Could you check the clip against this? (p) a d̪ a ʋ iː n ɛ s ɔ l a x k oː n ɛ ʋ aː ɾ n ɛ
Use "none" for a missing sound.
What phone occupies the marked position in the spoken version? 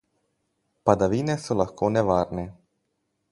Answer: p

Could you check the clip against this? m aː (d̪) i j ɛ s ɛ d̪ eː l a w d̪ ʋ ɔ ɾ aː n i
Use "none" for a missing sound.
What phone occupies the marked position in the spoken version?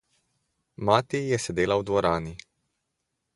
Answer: t̪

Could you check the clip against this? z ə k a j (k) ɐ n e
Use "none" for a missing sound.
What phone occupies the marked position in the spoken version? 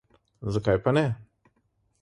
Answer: p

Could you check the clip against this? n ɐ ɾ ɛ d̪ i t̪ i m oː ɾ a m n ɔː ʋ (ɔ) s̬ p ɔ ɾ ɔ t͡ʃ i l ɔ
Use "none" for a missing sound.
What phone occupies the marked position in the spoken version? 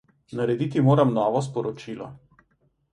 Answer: ɔ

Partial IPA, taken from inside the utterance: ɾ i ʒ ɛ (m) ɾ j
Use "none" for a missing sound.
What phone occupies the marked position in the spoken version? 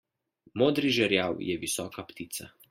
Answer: none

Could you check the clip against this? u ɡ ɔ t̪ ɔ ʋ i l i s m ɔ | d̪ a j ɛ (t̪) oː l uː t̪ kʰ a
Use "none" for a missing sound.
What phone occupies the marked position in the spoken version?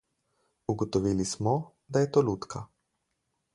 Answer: t̪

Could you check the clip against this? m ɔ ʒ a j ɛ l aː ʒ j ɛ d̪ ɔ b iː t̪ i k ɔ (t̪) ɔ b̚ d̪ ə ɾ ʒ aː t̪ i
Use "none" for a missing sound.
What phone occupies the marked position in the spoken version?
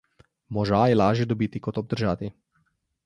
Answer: t̪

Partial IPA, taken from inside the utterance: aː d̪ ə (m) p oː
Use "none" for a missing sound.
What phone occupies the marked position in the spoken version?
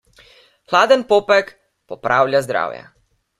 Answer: n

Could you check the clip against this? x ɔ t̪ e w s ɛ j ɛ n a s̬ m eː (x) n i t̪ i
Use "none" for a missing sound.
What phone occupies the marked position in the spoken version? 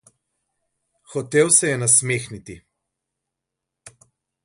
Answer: x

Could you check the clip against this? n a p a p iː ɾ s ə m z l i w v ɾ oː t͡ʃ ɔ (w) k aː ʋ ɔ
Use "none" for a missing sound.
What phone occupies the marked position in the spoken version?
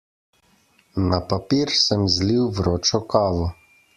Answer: none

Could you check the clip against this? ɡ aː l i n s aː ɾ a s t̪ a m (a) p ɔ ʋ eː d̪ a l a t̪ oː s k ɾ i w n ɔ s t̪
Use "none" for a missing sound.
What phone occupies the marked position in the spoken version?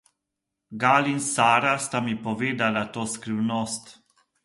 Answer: i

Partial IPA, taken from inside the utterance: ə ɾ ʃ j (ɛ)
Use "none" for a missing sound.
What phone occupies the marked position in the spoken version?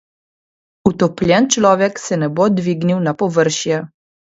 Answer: ɛ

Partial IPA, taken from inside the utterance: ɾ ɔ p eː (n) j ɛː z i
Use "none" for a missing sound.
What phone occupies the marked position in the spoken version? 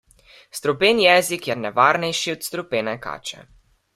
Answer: n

